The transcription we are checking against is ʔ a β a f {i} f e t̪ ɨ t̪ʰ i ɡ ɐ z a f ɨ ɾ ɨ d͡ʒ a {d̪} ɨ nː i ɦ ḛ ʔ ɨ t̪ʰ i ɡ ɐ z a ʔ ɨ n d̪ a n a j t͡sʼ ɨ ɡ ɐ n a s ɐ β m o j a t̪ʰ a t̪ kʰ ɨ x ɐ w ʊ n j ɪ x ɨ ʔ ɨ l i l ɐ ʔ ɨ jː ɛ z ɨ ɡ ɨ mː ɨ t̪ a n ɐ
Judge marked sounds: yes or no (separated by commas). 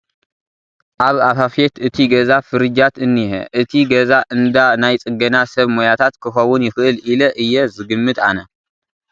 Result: no, no